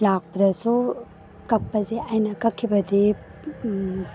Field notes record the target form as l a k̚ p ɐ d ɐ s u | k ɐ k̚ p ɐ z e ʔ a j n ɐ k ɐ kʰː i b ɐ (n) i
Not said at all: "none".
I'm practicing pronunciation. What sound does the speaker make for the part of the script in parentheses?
d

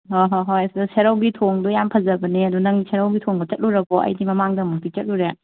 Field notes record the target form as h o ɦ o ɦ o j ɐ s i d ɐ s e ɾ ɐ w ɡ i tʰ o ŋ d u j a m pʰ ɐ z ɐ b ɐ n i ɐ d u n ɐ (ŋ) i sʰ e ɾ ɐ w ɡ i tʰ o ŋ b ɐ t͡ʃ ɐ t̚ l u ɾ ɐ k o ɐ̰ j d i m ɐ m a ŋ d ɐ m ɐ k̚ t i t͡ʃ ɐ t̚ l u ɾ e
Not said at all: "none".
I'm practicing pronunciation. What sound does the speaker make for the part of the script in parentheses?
ŋ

